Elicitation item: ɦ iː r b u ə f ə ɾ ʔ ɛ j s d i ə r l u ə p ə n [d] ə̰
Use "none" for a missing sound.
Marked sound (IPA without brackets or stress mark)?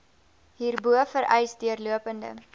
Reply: d